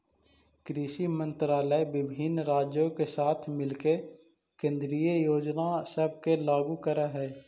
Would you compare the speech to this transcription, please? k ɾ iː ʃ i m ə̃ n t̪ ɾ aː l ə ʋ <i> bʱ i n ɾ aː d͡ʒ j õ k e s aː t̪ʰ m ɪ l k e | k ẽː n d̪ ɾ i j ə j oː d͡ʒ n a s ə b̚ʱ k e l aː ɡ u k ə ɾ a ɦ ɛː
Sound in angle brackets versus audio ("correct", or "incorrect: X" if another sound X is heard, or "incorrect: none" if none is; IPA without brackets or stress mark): incorrect: ɪ